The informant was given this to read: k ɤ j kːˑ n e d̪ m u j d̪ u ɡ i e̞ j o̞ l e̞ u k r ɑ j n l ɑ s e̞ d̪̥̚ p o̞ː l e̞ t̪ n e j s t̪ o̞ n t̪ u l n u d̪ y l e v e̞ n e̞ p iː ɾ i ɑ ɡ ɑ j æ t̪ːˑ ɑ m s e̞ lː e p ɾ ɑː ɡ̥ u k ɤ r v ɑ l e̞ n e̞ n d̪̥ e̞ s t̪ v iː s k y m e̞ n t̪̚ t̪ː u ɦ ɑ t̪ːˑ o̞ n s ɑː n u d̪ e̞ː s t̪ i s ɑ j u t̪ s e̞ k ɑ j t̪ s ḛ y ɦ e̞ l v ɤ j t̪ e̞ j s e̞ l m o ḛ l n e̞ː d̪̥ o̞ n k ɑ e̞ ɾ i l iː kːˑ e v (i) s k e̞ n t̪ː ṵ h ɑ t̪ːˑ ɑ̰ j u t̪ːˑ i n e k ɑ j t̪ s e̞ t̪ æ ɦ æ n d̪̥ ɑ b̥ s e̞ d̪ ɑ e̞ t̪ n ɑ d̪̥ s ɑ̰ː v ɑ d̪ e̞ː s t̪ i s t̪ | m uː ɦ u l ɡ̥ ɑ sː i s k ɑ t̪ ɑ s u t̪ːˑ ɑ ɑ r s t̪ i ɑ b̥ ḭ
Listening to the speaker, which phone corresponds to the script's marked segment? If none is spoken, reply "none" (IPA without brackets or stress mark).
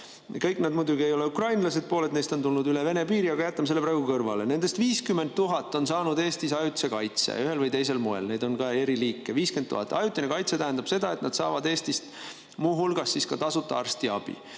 iː